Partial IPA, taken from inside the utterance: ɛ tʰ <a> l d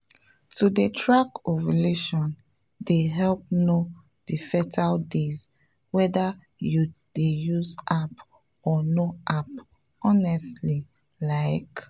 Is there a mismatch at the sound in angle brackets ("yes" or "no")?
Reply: no